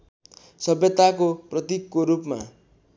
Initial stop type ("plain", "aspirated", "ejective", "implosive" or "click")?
plain